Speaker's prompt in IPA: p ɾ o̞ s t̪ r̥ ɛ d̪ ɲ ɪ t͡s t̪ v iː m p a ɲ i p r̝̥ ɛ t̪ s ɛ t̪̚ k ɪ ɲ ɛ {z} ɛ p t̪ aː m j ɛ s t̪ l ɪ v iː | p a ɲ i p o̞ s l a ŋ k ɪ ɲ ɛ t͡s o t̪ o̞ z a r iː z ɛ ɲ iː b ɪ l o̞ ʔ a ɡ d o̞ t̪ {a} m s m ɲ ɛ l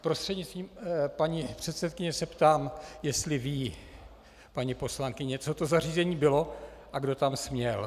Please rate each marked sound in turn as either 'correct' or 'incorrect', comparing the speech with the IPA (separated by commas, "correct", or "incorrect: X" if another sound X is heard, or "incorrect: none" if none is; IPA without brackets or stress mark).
incorrect: s, correct